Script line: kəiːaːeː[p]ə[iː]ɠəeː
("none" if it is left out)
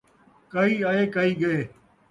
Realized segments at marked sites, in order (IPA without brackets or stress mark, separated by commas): k, iː